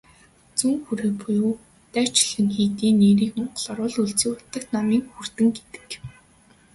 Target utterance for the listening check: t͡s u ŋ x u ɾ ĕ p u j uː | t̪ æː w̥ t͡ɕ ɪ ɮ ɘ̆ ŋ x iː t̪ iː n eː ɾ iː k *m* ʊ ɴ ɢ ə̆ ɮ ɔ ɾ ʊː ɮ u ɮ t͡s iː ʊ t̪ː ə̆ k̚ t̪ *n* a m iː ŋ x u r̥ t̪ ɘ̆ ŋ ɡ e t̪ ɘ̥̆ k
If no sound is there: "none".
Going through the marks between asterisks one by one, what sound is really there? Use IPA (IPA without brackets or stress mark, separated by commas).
m, n